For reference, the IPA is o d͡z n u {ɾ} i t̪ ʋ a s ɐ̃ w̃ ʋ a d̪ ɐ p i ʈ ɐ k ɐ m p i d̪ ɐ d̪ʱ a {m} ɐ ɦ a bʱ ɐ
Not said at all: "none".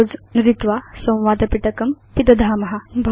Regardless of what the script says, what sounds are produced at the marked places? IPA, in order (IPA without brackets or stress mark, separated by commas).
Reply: ɾ, m